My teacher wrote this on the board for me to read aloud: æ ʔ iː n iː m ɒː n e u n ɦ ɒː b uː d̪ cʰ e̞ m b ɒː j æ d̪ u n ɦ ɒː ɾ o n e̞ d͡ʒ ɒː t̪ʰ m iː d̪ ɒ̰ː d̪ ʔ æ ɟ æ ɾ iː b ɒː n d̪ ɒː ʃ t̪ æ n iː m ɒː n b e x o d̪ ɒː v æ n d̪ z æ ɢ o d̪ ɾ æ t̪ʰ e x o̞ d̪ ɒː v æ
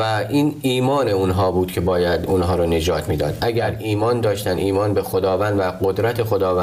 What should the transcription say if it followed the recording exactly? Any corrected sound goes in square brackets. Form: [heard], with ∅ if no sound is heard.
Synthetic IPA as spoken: æ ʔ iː n iː m ɒː n e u n ɦ ɒː b uː d̪ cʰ e̞ [∅] b ɒː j æ d̪ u n ɦ ɒː ɾ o n e̞ d͡ʒ ɒː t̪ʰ m iː d̪ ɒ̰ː d̪ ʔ æ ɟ æ ɾ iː [m] ɒː n d̪ ɒː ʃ t̪ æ n iː m ɒː n b e x o d̪ ɒː v æ n d̪ [v] æ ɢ o d̪ ɾ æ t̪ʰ e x o̞ d̪ ɒː v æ